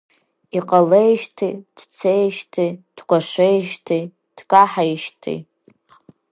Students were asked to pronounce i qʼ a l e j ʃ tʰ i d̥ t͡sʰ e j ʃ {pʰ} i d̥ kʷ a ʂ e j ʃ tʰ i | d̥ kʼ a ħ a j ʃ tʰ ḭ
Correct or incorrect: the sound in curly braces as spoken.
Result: incorrect: tʰ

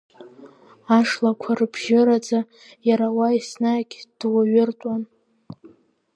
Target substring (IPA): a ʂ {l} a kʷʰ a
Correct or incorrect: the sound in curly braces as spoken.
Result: correct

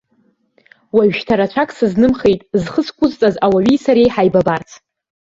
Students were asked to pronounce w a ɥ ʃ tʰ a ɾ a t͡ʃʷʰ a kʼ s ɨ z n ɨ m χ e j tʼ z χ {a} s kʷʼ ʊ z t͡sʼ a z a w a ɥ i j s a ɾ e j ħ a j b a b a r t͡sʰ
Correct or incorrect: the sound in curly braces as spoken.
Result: incorrect: ə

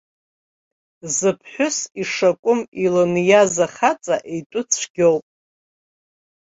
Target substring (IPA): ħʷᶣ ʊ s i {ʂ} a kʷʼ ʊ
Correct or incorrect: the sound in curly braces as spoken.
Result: correct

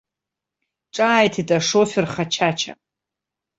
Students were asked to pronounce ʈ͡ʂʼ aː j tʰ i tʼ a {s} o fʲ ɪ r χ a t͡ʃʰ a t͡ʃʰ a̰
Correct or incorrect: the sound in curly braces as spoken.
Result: incorrect: ʂ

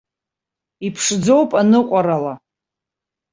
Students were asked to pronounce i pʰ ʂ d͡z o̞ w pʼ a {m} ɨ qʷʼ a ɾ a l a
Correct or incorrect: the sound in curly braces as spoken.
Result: incorrect: n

